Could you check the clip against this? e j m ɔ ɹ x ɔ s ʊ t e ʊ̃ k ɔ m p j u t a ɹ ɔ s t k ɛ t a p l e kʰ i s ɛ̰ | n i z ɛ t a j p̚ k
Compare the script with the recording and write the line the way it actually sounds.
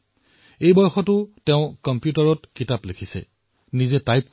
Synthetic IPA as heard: e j b ɔ ɹ x ɔ t ʊ t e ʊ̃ k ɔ m p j u t a ɹ ɔ t k i t a p l e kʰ i s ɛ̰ | n i z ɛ t a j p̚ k

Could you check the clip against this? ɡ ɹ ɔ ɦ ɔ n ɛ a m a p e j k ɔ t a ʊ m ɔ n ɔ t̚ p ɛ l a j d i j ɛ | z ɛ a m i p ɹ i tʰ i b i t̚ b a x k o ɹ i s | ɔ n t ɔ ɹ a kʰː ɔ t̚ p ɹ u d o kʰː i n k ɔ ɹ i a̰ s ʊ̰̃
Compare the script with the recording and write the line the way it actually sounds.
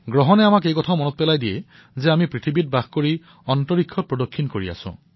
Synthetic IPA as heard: ɡ ɹ ɔ ɦ ɔ n ɛ a m a k e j k ɔ tʰ a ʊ m ɔ n ɔ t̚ p ɛ l a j d i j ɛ | z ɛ a m i p ɹ i tʰ i b i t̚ b a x k o ɹ i | ɔ n t ɔ ɹ i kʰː ɔ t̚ p ɹ ɔ d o kʰː i n k o ɹ i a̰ s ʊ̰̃

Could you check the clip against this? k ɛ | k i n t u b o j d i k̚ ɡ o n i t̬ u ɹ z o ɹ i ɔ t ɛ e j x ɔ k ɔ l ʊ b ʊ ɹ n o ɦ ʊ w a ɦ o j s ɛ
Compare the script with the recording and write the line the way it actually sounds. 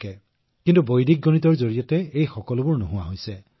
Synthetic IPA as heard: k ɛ | k i n t u b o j d i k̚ ɡ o n i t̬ ɔ ɹ z o ɹ i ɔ t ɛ e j x ɔ k ɔ l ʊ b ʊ ɹ n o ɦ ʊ w a ɦ o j s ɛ

